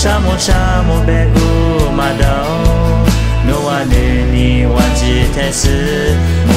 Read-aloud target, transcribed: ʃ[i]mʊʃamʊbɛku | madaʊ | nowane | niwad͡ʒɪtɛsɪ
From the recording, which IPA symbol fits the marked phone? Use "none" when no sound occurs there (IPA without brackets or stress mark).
a